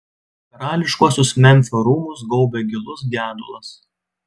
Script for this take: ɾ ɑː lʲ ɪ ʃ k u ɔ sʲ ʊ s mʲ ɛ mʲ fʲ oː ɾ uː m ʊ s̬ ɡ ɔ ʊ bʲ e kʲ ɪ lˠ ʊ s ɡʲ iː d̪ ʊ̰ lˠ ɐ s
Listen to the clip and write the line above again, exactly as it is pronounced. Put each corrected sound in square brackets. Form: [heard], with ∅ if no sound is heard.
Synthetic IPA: ɾ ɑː lʲ ɪ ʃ k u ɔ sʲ ʊ s mʲ ɛ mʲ fʲ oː ɾ uː m ʊ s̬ ɡ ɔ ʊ bʲ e [ɡʲ] ɪ lˠ ʊ s ɡʲ [æː] d̪ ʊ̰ lˠ ɐ s